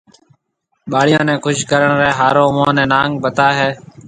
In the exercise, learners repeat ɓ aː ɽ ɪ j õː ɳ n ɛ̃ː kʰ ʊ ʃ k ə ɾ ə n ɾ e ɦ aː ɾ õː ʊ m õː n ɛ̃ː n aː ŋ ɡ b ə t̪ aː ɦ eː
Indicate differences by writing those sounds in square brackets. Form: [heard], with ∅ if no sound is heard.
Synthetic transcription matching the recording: ɓ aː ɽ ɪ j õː [∅] n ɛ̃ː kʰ ʊ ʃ k ə ɾ ə [ɳ] ɾ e ɦ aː ɾ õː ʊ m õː n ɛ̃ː n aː ŋ ɡ b ə t̪ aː ɦ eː